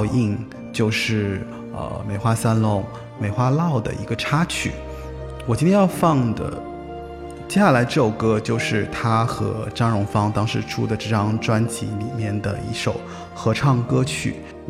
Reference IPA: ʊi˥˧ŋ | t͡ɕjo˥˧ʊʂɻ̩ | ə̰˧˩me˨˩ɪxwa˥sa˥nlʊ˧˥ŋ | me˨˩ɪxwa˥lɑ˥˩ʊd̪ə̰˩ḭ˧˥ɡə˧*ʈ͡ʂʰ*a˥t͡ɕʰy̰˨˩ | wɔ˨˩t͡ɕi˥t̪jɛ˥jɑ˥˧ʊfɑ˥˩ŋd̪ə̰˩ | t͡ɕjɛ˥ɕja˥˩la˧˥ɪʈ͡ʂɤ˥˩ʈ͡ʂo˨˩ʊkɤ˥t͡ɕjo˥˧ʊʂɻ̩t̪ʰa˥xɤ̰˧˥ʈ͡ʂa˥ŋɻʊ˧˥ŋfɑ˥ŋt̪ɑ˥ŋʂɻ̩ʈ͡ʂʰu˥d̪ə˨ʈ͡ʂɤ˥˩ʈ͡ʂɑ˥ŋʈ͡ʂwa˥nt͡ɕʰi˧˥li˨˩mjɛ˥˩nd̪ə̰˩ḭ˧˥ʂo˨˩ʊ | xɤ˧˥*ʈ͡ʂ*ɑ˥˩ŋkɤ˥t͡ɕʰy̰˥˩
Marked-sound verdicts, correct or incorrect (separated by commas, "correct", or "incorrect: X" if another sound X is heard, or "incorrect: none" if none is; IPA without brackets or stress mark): correct, incorrect: ʈ͡ʂʰ